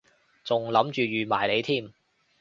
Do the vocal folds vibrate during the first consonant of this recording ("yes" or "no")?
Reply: no